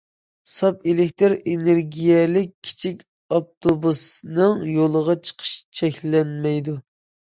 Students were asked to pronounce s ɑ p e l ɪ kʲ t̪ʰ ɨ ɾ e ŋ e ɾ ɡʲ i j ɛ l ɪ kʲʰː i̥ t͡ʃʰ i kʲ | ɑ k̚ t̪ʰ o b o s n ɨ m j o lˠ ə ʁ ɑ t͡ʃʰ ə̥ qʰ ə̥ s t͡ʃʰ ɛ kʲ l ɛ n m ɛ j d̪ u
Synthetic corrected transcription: s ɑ p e l ɪ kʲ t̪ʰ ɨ ɾ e n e ɾ ɡʲ i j ɛ l ɪ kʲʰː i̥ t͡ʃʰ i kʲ | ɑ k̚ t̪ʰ o b u s n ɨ ŋ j o lˠ ə ʁ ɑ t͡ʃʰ ə̥ qʰ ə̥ ʃ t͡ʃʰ ɛ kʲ l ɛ n m ɛ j d̪ u

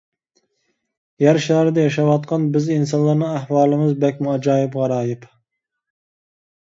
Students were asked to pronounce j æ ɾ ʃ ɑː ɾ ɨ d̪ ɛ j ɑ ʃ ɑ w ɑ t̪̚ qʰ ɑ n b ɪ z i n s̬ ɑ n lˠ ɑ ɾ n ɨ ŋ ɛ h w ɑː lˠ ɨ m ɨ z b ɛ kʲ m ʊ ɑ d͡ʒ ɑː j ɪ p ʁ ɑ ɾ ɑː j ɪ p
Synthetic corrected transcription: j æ ɾ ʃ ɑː ɾ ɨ d̪ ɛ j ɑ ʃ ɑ w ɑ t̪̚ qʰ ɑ n b ɪ z i n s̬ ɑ n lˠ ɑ ɾ n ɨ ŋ æ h w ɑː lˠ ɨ m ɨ z b ɛ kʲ m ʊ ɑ d͡ʒ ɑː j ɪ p ʁ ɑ ɾ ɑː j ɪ p

